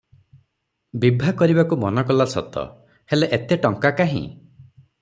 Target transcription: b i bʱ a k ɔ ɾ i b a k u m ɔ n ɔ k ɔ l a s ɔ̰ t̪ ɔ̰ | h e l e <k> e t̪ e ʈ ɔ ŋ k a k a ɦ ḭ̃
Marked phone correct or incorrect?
incorrect